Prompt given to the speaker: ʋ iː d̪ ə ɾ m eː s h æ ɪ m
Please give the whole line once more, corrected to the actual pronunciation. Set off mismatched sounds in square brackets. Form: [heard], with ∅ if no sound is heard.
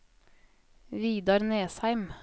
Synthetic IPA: ʋ iː d̪ [ɑ] ɾ [n] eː s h æ ɪ m